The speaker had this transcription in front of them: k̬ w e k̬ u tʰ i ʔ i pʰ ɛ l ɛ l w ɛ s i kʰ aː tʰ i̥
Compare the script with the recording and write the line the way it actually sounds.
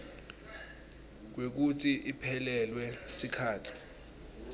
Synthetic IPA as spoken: k̬ w e k̬ u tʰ i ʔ i pʰ ɛ l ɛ l w ɛ s i kʰ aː tʰ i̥